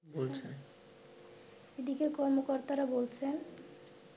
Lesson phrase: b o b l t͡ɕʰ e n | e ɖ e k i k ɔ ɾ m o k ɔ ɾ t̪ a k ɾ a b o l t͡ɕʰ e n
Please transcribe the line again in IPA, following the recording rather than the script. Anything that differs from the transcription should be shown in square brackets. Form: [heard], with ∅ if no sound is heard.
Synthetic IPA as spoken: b o [∅] l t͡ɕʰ e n | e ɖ [i] k [e] k ɔ ɾ m o k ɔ ɾ t̪ a [∅] ɾ a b o l t͡ɕʰ e n